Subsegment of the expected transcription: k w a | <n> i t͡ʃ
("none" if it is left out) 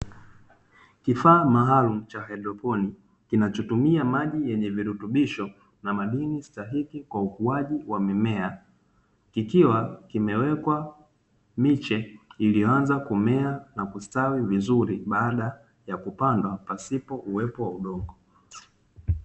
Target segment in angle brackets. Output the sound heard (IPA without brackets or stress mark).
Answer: m